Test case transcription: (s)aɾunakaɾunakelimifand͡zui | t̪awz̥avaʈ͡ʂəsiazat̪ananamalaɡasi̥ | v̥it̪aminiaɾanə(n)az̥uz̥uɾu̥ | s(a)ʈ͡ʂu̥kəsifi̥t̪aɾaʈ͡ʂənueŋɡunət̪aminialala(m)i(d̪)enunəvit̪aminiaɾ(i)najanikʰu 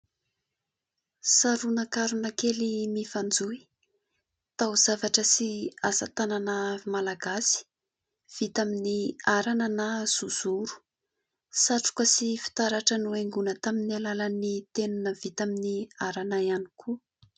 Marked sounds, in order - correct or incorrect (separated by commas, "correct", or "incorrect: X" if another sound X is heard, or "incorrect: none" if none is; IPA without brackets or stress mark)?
correct, correct, correct, incorrect: n, incorrect: t̪, incorrect: a